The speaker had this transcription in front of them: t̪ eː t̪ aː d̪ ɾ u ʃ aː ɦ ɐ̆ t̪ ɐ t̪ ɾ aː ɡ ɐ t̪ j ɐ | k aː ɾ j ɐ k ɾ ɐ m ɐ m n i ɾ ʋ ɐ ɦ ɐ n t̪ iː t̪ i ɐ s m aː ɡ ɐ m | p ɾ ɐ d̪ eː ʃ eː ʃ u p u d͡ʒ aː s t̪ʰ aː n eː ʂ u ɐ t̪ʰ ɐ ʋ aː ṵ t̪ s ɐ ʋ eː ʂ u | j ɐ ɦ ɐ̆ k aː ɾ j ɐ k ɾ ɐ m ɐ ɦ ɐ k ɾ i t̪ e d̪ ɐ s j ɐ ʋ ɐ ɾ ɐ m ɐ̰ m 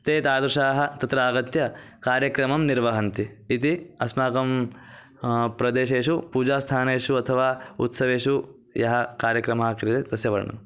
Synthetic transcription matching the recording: t̪ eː t̪ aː d̪ ɾ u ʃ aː ɦ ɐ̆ t̪ ɐ t̪ ɾ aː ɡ ɐ t̪ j ɐ | k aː ɾ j ɐ k ɾ ɐ m ɐ m n i ɾ ʋ ɐ ɦ ɐ n t̪ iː t̪ i ɐ s m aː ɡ ɐ m | p ɾ ɐ d̪ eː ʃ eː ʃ u p uː d͡ʒ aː s t̪ʰ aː n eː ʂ u ɐ t̪ʰ ɐ ʋ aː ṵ t̪ s ɐ ʋ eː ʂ u | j ɐ ɦ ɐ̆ k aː ɾ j ɐ k ɾ ɐ m ɐ ɦ ɐ k ɾ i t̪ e d̪ ɐ s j ɐ ʋ ɐ ɾ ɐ ɳ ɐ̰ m